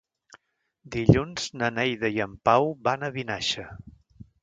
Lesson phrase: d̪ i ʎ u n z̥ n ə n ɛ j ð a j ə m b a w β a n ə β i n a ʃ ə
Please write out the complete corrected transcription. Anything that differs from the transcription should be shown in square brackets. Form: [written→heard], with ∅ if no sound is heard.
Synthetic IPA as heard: d̪ i ʎ u n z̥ n ə n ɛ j ð [a→ə] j ə m [b→p] a w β a n ə β i n a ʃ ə